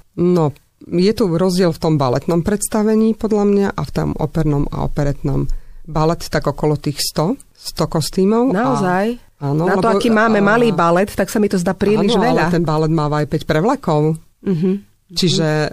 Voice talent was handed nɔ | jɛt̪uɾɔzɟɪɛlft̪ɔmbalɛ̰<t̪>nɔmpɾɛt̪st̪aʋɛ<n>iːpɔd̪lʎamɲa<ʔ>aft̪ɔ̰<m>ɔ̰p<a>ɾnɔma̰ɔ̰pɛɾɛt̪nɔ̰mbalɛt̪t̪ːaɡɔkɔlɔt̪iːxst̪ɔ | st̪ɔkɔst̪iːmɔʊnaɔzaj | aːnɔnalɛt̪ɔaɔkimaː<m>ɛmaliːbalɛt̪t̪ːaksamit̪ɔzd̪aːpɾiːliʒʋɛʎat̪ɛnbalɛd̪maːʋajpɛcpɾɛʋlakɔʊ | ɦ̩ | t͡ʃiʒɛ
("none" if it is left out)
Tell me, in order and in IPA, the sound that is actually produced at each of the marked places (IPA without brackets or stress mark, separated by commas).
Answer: t̪, ɲ, ʔ, m, ɛ, m